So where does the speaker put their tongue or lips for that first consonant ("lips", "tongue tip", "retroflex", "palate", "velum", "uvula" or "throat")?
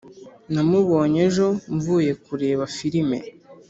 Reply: tongue tip